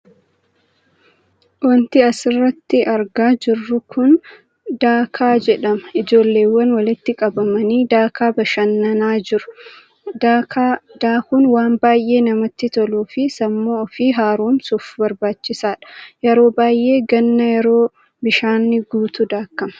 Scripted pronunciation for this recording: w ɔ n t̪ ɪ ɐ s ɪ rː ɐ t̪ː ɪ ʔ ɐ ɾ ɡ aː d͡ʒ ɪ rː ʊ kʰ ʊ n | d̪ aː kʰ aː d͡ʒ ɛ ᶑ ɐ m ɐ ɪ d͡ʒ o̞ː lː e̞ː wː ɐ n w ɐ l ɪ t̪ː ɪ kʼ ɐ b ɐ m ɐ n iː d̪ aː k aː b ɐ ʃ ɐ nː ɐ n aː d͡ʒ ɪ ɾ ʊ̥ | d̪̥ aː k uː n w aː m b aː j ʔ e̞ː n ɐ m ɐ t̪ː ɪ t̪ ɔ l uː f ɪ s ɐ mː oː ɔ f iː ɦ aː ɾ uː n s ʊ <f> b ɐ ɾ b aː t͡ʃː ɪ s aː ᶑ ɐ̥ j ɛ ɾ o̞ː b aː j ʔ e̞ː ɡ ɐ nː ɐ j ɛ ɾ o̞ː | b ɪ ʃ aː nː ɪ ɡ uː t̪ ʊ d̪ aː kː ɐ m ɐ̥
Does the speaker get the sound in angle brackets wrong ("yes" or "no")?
no